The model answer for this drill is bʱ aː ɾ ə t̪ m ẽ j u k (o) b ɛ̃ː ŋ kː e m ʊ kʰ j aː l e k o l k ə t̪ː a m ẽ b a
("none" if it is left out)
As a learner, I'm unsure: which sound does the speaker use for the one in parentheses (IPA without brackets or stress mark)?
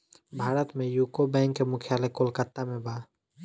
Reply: o